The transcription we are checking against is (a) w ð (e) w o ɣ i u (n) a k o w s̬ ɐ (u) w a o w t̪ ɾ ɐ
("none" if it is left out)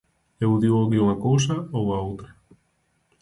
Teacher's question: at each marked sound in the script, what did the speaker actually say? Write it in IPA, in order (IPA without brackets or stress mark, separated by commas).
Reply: e, i, ŋ, o